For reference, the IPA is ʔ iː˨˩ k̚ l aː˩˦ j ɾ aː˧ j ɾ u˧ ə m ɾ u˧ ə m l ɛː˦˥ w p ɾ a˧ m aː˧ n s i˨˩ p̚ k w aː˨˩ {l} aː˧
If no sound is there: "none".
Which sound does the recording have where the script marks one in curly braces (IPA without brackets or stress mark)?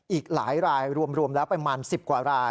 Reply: ɾ